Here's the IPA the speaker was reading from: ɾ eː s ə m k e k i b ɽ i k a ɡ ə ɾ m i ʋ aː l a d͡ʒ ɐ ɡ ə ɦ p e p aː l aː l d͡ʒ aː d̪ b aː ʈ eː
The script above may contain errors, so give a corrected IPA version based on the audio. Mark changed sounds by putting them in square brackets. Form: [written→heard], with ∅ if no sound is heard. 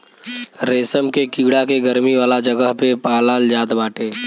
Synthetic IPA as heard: ɾ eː s ə m k e k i [b→ɡ] ɽ [i→a] k [a→e] ɡ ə ɾ m i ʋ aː l a d͡ʒ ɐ ɡ ə ɦ p e p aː l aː l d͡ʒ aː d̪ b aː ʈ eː